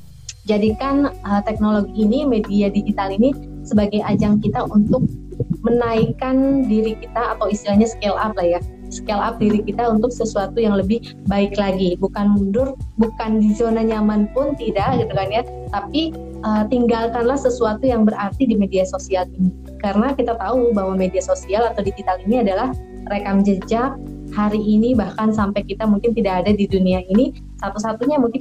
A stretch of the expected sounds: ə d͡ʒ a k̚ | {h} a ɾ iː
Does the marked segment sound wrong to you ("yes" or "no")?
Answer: no